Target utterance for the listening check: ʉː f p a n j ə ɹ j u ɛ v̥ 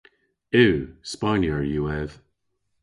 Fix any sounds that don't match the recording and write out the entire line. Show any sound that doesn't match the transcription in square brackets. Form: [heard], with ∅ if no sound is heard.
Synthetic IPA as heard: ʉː [s] p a n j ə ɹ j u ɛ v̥